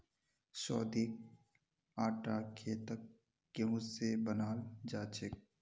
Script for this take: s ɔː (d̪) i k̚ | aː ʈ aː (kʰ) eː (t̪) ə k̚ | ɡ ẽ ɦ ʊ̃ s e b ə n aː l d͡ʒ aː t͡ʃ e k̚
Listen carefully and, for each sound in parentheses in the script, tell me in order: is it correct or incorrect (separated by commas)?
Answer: correct, correct, correct